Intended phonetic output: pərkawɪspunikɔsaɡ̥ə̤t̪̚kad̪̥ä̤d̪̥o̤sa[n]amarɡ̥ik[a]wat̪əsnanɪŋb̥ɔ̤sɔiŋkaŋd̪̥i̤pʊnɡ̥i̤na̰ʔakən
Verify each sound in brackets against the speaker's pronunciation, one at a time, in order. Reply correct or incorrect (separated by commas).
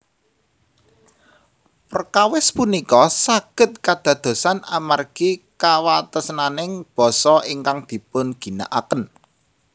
correct, correct